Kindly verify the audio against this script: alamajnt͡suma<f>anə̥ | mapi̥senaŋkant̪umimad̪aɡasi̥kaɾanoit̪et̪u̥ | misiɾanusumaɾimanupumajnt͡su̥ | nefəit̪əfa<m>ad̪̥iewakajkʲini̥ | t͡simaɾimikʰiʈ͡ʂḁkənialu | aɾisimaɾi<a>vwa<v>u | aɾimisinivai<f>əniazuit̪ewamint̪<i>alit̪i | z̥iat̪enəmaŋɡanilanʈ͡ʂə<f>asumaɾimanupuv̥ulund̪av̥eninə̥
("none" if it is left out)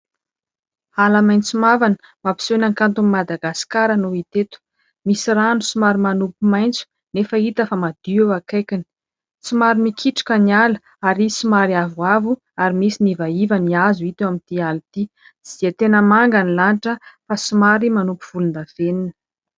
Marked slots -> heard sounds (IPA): v, m, a, v, v, i, f

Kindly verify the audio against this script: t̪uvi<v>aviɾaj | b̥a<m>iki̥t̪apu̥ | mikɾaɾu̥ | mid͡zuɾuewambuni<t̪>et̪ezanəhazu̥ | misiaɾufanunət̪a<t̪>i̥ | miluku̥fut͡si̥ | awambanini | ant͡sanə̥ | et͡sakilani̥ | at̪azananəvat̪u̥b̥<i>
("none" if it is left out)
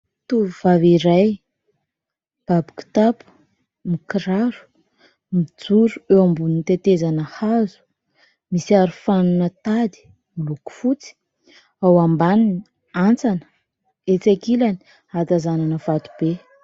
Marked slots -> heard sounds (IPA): v, b, t̪, d̪, e

